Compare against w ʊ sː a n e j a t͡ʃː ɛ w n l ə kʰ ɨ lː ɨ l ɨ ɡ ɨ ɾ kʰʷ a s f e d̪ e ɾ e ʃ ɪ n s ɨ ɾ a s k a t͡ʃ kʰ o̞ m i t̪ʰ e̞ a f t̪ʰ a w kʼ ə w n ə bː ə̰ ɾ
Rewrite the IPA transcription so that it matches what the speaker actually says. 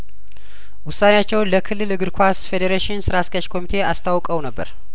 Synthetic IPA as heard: w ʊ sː a n e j a t͡ʃː ɛ w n l ə kʰ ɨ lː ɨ l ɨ ɡ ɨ ɾ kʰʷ a s f e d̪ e ɾ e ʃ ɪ n s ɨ ɾ a s k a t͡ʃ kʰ o̞ m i t̪ʰ e̞ a s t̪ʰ a w kʼ ə w n ə bː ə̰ ɾ